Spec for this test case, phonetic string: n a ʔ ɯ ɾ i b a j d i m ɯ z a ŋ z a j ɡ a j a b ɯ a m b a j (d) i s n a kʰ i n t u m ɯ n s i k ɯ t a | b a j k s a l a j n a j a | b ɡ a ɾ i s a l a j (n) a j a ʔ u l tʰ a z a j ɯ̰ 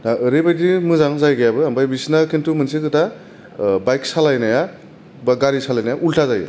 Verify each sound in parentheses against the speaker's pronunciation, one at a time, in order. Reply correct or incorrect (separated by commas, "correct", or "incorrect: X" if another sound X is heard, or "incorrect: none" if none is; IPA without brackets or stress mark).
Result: incorrect: b, correct